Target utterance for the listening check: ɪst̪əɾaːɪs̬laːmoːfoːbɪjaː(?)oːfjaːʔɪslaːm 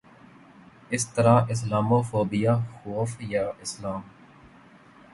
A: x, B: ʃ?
A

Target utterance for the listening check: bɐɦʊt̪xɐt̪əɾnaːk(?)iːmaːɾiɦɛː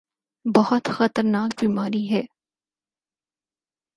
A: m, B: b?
B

